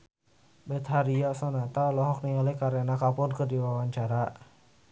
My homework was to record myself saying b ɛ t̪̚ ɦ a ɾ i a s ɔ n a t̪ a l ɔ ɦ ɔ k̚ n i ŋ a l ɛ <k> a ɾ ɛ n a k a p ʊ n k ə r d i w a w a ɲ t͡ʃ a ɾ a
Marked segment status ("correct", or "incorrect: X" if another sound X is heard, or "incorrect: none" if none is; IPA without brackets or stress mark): correct